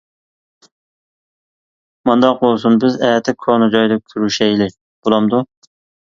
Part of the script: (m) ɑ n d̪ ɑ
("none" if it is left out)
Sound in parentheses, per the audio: m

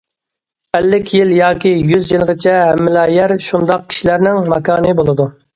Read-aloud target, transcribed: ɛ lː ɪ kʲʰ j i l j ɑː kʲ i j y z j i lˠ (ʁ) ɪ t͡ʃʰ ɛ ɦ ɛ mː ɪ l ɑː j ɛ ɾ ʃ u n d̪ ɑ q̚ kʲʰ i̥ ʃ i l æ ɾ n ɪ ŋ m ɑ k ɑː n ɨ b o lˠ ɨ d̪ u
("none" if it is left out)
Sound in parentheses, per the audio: ʁ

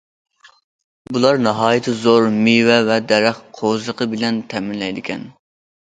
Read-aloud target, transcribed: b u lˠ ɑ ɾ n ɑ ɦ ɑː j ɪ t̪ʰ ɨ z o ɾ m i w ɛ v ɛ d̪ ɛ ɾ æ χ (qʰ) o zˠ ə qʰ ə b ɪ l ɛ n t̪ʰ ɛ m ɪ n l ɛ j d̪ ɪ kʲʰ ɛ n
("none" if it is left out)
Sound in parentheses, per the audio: qʰ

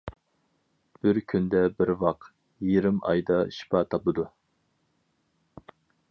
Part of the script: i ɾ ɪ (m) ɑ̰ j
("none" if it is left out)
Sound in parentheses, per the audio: m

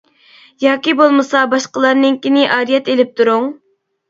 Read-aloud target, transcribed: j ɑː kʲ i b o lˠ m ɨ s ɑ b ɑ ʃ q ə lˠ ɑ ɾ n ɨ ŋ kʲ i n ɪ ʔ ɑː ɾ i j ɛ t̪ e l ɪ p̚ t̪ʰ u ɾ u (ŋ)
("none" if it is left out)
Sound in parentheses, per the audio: ŋ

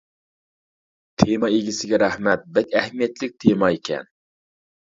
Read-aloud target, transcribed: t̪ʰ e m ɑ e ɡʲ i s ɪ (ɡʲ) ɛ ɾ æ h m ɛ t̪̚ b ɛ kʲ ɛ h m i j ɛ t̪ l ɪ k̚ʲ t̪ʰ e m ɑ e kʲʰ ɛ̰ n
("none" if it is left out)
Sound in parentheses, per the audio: ɡʲ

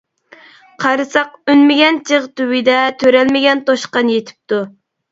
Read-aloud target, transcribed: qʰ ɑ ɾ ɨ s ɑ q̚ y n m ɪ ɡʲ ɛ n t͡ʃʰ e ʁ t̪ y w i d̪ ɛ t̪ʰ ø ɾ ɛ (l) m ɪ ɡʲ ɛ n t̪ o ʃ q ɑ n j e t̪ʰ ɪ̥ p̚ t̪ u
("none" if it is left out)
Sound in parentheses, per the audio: l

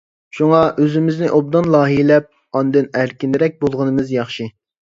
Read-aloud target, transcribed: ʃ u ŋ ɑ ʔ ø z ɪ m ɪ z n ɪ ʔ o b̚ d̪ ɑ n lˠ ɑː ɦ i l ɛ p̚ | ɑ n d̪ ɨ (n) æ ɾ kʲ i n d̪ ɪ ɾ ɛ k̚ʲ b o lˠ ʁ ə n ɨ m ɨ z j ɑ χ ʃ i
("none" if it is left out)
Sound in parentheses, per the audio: n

